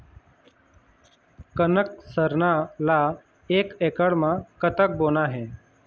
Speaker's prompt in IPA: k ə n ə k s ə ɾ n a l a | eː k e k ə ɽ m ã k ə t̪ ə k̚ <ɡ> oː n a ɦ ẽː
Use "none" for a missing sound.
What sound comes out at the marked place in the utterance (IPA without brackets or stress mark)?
b